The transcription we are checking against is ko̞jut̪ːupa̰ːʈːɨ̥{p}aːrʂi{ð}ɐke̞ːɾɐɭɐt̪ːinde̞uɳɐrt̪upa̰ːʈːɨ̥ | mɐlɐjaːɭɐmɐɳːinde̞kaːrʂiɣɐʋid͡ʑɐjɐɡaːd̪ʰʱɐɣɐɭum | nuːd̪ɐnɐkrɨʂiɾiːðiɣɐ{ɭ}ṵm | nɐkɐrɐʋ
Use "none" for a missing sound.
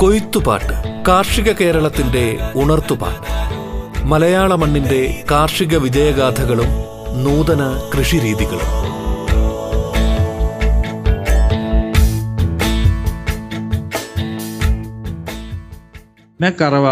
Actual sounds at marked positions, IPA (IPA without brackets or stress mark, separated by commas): k, ɣ, ɭ